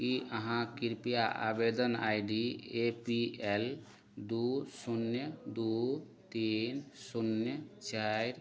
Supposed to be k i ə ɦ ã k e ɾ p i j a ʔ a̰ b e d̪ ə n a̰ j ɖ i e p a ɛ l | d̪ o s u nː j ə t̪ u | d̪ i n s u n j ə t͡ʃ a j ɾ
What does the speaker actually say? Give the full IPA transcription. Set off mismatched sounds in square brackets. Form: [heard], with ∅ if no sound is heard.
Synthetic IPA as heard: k i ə ɦ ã k [i] ɾ p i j a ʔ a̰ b e d̪ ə n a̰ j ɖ i e p [i] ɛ l | d̪ [u] s u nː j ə [d̪] u | [t̪] i n s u n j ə t͡ʃ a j ɾ